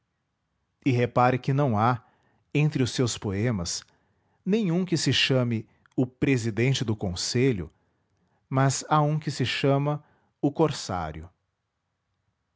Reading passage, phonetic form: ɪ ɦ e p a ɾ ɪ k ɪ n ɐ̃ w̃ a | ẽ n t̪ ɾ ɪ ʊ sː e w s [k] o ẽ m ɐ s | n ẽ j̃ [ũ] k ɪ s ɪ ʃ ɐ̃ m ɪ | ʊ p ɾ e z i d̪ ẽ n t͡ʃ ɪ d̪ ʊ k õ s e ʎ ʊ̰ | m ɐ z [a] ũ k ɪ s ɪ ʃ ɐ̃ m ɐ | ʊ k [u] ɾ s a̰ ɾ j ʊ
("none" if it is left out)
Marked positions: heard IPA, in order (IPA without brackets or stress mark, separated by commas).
p, ũ, a, o